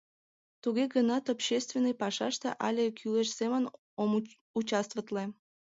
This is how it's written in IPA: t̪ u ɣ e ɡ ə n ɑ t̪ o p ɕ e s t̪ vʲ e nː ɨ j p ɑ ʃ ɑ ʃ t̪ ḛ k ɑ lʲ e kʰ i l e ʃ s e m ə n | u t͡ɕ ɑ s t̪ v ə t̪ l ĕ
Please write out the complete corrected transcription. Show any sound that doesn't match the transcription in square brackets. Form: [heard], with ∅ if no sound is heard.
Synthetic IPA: t̪ u ɣ e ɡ ə n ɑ t̪ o p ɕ e s t̪ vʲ e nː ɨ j p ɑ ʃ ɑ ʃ t̪ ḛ [ʔ] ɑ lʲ e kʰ [y] l e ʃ s e m ə n | u t͡ɕ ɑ s t̪ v ə t̪ l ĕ